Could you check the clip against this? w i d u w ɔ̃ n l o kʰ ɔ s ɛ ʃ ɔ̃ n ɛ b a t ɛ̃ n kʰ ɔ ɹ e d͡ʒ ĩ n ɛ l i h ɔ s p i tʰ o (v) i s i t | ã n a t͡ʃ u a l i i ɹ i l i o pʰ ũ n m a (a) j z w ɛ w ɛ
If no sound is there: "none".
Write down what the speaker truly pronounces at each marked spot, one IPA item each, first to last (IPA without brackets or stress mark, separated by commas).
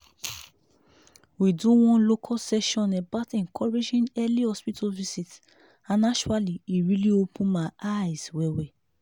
v, a